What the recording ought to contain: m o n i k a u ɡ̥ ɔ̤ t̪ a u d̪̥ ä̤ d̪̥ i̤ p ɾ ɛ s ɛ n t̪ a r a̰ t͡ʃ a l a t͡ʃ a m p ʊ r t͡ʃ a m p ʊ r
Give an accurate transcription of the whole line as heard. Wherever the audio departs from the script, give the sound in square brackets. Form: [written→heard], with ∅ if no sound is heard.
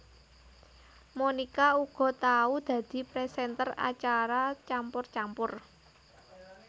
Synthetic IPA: m o n i k a u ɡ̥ ɔ̤ t̪ a u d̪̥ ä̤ d̪̥ i̤ p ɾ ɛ s ɛ n t̪ [a→ə] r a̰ t͡ʃ a [l→ɾ] a t͡ʃ a m p ʊ r t͡ʃ a m p ʊ r